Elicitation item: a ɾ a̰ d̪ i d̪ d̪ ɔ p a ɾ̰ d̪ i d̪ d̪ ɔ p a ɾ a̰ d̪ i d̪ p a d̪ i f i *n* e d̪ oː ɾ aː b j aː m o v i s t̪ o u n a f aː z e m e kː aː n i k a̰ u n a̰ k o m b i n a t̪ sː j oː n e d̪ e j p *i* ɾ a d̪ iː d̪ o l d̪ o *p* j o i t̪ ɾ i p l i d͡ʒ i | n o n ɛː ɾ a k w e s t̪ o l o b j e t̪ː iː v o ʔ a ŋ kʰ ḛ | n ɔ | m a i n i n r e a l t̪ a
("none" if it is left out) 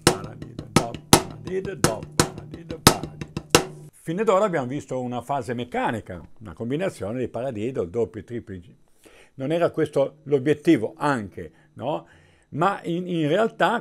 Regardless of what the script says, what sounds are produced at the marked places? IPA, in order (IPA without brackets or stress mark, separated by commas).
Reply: n, a, p